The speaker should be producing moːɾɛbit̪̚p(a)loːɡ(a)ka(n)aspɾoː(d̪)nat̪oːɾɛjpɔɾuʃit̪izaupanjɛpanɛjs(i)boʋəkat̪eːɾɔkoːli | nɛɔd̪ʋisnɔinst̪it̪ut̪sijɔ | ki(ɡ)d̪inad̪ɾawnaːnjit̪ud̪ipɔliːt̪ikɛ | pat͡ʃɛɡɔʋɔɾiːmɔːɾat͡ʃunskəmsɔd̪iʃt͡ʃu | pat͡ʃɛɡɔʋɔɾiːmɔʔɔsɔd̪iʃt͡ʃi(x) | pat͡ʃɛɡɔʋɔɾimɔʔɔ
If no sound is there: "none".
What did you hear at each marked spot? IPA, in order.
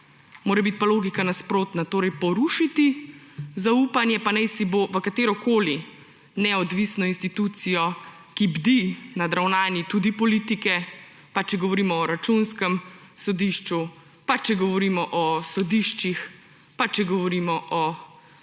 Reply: a, i, n, t̪, i, b, x

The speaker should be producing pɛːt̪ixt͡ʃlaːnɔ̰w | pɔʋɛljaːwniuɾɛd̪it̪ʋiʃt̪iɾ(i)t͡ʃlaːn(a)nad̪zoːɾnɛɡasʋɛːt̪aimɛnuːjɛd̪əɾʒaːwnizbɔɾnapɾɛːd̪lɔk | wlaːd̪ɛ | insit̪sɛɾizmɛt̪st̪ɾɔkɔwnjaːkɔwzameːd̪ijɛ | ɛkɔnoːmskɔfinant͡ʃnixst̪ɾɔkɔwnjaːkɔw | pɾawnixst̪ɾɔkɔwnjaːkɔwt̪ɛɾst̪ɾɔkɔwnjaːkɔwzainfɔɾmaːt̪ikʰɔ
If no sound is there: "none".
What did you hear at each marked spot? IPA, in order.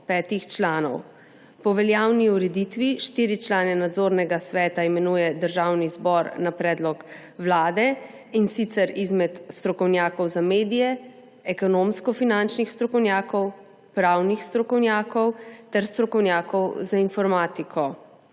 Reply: i, ɛ

